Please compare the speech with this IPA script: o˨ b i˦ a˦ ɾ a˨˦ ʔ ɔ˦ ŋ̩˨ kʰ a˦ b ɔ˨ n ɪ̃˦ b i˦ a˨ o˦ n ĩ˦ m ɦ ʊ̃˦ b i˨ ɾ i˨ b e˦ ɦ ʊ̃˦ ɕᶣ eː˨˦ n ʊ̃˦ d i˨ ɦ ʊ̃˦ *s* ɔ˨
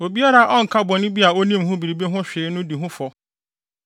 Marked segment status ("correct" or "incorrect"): incorrect